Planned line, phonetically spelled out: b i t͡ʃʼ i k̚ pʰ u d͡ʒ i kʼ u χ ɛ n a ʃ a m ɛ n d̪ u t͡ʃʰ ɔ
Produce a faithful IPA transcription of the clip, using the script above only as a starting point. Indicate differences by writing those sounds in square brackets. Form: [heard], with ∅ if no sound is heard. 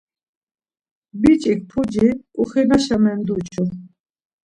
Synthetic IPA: b i t͡ʃʼ i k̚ pʰ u d͡ʒ i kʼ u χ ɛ n a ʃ a m ɛ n d̪ u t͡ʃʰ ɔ

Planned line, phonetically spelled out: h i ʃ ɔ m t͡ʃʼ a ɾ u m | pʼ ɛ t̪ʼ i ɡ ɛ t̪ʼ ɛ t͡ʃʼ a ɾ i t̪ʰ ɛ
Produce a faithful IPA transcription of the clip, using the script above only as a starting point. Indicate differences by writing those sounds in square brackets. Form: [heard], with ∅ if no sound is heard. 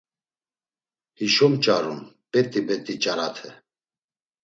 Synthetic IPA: h i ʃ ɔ m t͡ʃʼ a ɾ u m | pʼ ɛ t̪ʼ i [b] ɛ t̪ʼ [i] t͡ʃʼ a ɾ [a] t̪ʰ ɛ

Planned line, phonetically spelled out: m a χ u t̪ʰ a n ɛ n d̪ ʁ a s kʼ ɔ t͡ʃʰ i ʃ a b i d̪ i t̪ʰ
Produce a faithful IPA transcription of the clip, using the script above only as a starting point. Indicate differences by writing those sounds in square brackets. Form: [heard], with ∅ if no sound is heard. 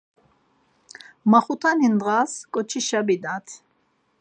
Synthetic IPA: m a χ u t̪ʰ a n [i] n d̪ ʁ a s kʼ ɔ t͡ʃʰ i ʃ a b i d̪ [a] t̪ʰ

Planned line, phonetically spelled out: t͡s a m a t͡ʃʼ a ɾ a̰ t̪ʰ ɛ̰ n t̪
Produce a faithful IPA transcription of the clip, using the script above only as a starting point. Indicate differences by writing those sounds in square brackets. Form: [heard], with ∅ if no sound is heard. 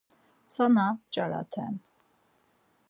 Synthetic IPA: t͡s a [n] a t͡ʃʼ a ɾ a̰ t̪ʰ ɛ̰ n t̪

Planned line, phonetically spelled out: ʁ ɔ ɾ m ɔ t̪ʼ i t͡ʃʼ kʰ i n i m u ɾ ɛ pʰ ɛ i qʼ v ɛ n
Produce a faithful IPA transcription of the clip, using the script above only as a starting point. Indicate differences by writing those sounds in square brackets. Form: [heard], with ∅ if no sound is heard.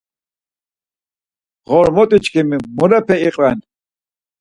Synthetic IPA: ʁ ɔ ɾ m ɔ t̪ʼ i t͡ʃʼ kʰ i [m] i m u ɾ ɛ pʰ ɛ i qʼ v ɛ n

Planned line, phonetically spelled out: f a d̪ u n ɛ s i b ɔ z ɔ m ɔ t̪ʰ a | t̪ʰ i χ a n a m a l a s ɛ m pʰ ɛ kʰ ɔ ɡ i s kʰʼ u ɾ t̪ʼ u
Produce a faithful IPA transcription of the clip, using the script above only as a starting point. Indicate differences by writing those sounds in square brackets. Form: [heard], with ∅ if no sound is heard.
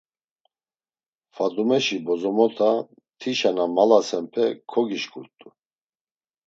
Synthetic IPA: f a d̪ u [m] ɛ [ʃ] i b ɔ z ɔ m ɔ t̪ʰ a | t̪ʰ i [ʃ] a n a m a l a s ɛ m pʰ ɛ kʰ ɔ ɡ i [ʃ] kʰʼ u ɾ t̪ʼ u

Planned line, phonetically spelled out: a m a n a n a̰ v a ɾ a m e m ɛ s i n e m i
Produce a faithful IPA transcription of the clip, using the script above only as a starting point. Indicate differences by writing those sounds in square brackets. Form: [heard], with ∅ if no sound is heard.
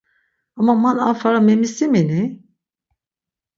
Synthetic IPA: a m a [m] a n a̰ [f] a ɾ a m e m [i] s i [m] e [n] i

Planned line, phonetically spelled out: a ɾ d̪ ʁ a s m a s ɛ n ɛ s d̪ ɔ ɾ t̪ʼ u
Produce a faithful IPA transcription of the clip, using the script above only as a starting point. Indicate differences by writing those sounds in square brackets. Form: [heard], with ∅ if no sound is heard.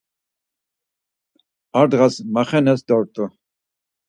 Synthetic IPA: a ɾ d̪ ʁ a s m a [χ] ɛ n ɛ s d̪ ɔ ɾ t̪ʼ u

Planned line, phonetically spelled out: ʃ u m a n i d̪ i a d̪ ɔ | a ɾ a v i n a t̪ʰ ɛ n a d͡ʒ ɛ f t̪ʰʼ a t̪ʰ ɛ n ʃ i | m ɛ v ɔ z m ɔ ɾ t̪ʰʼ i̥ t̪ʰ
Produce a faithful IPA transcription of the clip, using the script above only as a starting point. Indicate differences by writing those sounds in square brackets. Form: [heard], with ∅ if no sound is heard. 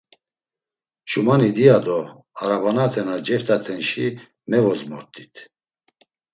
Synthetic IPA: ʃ u m a n i d̪ i a d̪ ɔ | a ɾ a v [a] n a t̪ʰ ɛ n a d͡ʒ ɛ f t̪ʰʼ a t̪ʰ ɛ n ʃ i | m ɛ v ɔ z m ɔ ɾ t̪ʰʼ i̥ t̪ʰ

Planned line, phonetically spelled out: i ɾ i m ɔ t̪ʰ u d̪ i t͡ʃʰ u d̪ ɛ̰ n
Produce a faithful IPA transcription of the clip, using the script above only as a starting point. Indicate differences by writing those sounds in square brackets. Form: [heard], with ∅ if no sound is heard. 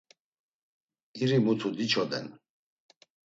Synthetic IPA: i ɾ i m [u] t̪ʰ u d̪ i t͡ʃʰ [ɔ] d̪ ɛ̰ n

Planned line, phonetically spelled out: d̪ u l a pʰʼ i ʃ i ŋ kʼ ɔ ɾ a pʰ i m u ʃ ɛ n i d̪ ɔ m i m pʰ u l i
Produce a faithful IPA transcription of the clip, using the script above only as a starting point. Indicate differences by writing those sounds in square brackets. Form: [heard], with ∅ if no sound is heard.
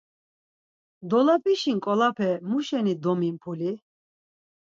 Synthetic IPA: d̪ [ɔ] l a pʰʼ i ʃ i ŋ kʼ ɔ [l] a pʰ [ɛ] m u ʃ ɛ n i d̪ ɔ m i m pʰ u l i

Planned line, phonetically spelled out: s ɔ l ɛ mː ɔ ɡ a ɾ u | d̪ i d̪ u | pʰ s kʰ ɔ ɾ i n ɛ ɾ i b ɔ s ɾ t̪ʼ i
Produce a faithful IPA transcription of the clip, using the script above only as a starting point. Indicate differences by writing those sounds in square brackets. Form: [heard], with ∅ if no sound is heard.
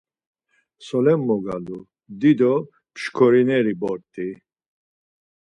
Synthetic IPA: s ɔ l ɛ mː ɔ ɡ a [l] u | d̪ i d̪ [ɔ] | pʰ [ʃ] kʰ ɔ ɾ i n ɛ ɾ i b ɔ [∅] ɾ t̪ʼ i

